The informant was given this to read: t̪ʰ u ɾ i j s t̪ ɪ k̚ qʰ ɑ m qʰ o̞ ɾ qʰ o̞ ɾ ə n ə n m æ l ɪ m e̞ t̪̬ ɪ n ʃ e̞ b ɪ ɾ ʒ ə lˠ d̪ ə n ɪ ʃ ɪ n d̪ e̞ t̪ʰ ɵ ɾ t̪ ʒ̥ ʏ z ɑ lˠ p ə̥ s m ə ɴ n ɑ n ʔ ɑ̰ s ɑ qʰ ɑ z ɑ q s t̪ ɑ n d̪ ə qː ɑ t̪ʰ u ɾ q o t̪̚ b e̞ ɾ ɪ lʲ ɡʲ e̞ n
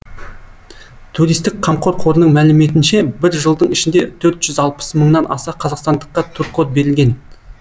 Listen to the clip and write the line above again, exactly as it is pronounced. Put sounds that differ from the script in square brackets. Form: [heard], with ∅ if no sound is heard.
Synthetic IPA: t̪ʰ u ɾ i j s t̪ ɪ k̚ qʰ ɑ m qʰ o̞ ɾ qʰ o̞ ɾ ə n ə [ɴ] m æ l ɪ m e̞ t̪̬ ɪ n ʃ e̞ b ɪ ɾ ʒ ə lˠ d̪ ə [ɴ] ɪ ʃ ɪ n d̪ e̞ t̪ʰ ɵ ɾ t̪ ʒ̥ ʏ z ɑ lˠ p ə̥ s m ə ɴ n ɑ n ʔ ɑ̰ s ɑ qʰ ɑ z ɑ q s t̪ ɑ n d̪ ə qː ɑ t̪ʰ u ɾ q o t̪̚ b e̞ ɾ ɪ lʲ ɡʲ e̞ n